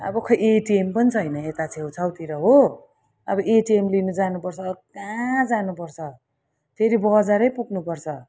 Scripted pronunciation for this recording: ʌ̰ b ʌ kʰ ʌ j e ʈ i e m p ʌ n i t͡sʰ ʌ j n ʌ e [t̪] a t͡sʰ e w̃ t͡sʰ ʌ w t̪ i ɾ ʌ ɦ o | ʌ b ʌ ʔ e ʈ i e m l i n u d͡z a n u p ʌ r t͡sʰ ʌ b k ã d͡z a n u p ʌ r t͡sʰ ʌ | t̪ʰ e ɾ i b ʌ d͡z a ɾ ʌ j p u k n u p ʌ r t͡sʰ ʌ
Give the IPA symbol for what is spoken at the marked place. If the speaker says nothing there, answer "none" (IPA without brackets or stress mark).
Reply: t̪